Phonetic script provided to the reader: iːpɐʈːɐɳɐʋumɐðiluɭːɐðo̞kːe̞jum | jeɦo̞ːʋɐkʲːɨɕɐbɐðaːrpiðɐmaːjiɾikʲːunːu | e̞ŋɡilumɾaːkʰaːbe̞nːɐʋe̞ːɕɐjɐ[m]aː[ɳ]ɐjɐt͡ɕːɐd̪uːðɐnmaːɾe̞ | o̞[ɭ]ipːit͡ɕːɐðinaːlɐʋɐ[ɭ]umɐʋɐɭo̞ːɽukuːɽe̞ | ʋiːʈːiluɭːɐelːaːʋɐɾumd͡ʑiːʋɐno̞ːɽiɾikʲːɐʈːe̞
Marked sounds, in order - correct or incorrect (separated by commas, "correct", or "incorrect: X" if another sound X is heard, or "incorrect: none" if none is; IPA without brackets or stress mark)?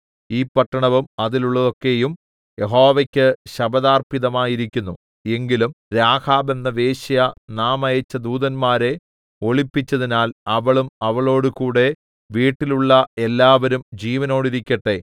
incorrect: n, incorrect: m, correct, correct